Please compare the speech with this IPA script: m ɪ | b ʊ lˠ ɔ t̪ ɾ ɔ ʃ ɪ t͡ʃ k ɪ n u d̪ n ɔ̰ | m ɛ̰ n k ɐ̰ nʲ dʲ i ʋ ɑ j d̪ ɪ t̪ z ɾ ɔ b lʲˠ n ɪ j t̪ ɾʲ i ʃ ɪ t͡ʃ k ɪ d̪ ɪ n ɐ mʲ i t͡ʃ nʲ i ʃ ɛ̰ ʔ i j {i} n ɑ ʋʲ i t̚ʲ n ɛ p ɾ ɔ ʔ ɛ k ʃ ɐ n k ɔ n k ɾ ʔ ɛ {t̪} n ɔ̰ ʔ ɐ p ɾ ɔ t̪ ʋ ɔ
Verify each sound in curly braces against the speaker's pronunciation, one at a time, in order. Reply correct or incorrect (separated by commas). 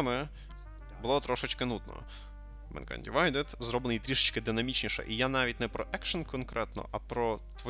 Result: incorrect, correct